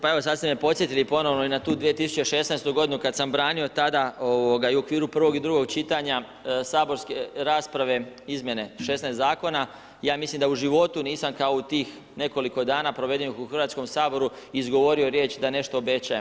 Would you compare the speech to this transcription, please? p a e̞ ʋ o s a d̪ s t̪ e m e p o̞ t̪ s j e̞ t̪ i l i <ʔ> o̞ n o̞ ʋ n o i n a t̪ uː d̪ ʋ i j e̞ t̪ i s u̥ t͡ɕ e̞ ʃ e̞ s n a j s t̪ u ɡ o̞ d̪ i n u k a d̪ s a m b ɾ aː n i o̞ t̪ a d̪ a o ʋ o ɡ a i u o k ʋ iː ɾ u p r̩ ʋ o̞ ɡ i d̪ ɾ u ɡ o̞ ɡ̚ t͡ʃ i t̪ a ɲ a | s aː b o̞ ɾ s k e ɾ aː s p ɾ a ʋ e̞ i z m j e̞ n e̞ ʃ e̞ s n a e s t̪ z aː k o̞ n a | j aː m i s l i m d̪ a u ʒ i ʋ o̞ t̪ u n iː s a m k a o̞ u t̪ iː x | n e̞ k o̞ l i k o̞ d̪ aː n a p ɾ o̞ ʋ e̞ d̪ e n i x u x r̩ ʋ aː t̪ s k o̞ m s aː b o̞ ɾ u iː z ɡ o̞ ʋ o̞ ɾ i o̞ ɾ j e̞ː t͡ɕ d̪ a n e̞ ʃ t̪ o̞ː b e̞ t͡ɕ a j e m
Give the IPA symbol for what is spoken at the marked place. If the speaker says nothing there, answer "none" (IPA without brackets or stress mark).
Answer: p